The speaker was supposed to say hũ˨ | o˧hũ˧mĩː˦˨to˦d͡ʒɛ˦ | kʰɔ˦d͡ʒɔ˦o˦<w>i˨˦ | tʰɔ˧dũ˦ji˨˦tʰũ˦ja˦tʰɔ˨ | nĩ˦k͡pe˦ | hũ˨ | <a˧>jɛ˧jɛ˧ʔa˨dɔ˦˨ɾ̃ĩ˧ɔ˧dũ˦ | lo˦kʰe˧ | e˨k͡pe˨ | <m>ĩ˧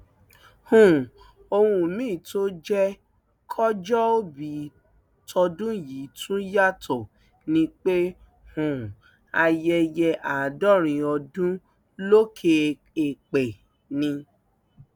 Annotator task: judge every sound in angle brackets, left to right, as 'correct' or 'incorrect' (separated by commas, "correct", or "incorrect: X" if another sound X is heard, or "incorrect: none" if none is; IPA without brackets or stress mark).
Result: incorrect: b, correct, incorrect: n